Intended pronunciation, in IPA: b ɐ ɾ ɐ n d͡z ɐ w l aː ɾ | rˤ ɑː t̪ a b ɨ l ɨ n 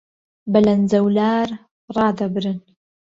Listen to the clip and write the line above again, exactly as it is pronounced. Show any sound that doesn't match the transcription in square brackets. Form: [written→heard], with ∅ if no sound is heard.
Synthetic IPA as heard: b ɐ [ɾ→l] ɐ n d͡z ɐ w l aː ɾ | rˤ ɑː [t̪→d̪] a b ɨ [l→ɾ] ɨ n